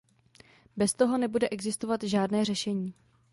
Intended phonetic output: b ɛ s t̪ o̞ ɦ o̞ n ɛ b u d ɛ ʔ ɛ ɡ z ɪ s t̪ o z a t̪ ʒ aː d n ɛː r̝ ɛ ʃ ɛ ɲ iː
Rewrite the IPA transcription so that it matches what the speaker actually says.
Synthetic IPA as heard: b ɛ s t̪ o̞ ɦ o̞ n ɛ b u d ɛ ʔ ɛ ɡ z ɪ s t̪ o v a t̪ ʒ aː d n ɛː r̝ ɛ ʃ ɛ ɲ iː